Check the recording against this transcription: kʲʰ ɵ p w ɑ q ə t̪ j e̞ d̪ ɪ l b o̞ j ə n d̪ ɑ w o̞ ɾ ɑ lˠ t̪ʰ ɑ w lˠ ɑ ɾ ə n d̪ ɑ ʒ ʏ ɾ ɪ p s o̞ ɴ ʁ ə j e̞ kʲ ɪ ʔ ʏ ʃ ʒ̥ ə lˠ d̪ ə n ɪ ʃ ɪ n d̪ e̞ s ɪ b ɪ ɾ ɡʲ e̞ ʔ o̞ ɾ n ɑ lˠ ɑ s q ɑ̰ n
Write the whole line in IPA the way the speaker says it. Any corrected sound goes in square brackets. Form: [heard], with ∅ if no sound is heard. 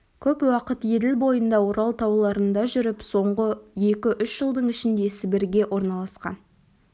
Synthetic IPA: kʲʰ ɵ p w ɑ q ə t̪ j e̞ d̪ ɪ l b o̞ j ə n d̪ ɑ w o̞ ɾ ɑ lˠ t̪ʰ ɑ w lˠ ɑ ɾ ə n d̪ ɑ ʒ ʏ ɾ ɪ p s o̞ ɴ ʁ ə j e̞ kʲ ɪ ʔ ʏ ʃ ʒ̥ ə lˠ d̪ ə [ɴ] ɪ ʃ ɪ n d̪ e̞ s ɪ b ɪ ɾ ɡʲ e̞ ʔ o̞ ɾ n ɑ lˠ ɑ s q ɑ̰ n